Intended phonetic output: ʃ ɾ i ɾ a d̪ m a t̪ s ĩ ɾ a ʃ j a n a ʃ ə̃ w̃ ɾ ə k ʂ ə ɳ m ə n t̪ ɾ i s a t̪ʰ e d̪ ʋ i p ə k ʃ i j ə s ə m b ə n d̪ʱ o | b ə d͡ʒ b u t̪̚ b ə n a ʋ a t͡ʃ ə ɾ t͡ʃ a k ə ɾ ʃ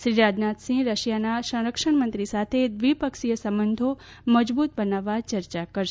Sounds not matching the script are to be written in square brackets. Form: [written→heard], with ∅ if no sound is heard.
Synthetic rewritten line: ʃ ɾ i ɾ a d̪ [m→n] a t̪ s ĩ ɾ [a→ə] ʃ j a n a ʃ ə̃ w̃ ɾ ə k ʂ ə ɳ m ə n t̪ ɾ i s a t̪ʰ e d̪ ʋ i p ə k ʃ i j ə s ə m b ə n d̪ʱ o | [b→m] ə d͡ʒ b u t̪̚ b ə n a ʋ a t͡ʃ ə ɾ t͡ʃ a k ə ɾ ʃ